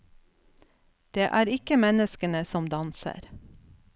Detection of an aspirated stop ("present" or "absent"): absent